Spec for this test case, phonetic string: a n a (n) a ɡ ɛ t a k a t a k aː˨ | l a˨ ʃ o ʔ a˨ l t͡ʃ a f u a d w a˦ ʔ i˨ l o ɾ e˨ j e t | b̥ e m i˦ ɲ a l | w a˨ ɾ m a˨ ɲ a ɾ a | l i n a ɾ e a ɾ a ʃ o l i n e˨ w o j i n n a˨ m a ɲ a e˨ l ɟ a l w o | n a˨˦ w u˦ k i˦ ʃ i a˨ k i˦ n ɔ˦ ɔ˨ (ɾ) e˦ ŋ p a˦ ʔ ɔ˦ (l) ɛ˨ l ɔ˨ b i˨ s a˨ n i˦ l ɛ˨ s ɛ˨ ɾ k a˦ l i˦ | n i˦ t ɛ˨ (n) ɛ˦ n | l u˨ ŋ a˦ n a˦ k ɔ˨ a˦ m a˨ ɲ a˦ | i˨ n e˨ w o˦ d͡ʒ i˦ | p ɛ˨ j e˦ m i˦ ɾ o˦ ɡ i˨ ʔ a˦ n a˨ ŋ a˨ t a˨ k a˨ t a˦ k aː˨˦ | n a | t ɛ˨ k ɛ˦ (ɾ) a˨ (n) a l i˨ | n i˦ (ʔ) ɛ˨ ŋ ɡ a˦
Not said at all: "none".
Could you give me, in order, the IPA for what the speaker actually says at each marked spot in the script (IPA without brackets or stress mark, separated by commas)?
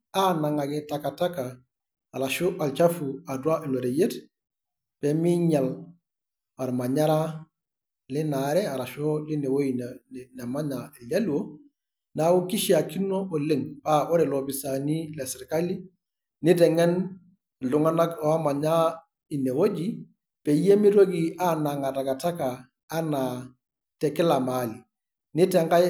ŋ, l, ɾ, ŋ, l, m, t